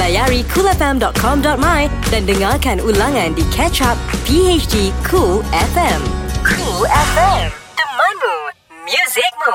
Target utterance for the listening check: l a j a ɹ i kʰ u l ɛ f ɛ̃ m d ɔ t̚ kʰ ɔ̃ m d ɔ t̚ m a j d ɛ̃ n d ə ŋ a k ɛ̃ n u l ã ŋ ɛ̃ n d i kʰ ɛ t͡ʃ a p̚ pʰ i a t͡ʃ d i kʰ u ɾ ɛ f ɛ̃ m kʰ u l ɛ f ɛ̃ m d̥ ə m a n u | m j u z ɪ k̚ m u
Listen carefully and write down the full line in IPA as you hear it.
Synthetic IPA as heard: l a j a ɹ i kʰ u l ɛ f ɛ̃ m d ɔ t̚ kʰ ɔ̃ m d ɔ t̚ m a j d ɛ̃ n d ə ŋ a k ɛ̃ n u l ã ŋ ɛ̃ n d i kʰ ɛ t͡ʃ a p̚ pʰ i e t͡ʃ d i kʰ u l ɛ f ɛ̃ m kʰ u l ɛ f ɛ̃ m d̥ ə m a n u | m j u z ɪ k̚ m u